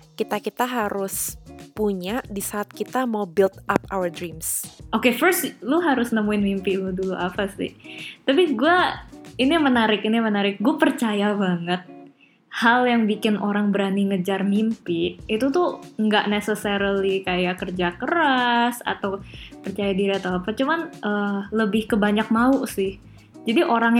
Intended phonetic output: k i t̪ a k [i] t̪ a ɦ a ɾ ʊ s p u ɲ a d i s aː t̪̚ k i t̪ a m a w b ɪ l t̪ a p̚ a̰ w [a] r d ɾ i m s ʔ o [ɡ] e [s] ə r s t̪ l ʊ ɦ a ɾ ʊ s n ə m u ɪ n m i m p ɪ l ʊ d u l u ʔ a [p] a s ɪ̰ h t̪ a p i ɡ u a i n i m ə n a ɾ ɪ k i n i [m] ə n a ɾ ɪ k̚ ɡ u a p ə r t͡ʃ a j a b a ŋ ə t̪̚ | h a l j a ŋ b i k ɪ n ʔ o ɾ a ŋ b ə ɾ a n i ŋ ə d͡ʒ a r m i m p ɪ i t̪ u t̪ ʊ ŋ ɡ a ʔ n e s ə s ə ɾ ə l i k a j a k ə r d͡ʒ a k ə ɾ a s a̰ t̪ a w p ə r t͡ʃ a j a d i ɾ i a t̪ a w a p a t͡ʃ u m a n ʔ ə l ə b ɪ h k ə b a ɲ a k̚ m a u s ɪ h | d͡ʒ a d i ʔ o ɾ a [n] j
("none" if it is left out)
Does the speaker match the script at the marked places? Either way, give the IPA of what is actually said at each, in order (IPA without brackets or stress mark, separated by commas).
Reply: i, ə, k, f, p, m, ŋ